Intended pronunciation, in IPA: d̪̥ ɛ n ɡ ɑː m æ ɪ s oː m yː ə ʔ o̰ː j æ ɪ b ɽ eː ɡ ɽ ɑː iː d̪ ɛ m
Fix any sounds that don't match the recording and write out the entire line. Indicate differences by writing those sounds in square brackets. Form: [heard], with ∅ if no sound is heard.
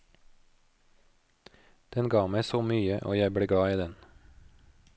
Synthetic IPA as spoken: d̪̥ ɛ n ɡ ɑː m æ ɪ s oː m yː ə ʔ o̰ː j æ ɪ b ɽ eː ɡ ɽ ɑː iː d̪ ɛ [n]